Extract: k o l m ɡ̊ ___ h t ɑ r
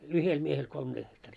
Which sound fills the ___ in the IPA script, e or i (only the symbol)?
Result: e